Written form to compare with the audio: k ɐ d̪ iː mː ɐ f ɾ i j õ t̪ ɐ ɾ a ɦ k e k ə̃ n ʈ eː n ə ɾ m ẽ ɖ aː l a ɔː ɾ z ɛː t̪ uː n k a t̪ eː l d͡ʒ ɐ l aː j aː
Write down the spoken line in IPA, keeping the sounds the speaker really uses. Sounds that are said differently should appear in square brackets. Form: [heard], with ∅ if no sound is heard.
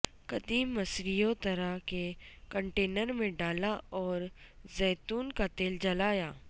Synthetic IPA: k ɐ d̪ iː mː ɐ [s] ɾ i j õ t̪ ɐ ɾ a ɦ k e k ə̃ [ɳ] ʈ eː n ə ɾ m ẽ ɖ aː l a ɔː ɾ z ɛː t̪ uː n k a t̪ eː l d͡ʒ ɐ l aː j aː